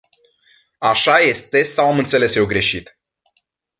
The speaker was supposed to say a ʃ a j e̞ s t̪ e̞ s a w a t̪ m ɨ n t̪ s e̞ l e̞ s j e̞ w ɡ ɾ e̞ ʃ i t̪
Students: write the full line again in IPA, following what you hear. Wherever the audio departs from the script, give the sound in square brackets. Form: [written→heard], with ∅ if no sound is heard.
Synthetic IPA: a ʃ a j e̞ s t̪ e̞ s a w a [t̪→∅] m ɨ n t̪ s e̞ l e̞ s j e̞ w ɡ ɾ e̞ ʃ i t̪